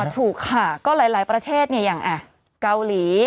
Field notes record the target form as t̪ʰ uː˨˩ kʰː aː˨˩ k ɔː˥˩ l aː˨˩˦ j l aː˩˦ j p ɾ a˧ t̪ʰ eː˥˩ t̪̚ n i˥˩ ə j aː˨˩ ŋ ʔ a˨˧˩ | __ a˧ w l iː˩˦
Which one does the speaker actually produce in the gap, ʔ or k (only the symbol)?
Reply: k